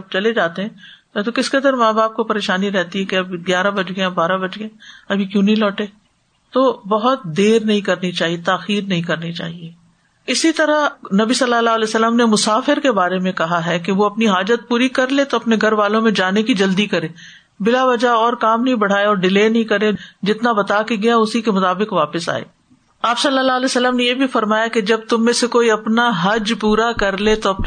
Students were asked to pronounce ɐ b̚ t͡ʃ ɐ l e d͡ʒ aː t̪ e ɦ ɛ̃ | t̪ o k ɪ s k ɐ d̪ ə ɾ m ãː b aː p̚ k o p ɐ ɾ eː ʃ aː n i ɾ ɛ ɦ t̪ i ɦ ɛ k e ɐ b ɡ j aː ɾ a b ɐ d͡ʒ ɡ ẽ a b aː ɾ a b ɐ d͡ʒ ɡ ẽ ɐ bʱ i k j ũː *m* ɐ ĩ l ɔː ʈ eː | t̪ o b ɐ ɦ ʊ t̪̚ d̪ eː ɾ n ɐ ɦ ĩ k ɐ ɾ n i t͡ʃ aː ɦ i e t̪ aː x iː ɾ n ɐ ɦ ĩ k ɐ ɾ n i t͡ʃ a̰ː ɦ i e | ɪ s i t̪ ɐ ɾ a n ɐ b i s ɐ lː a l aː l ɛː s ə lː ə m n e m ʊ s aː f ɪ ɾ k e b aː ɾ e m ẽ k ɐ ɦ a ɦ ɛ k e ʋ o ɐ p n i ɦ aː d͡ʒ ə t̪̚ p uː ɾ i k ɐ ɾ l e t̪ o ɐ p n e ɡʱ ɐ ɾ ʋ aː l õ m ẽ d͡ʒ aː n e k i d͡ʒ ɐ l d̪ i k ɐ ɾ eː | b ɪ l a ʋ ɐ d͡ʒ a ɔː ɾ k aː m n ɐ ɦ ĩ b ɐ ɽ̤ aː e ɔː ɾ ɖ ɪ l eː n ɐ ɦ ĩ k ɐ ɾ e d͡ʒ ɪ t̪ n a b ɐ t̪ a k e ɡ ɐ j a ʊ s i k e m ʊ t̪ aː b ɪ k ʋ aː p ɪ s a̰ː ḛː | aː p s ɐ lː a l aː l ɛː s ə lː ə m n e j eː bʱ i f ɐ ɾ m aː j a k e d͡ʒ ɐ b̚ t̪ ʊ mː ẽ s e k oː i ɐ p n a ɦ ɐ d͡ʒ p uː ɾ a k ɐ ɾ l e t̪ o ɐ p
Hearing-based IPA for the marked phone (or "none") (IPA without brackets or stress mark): n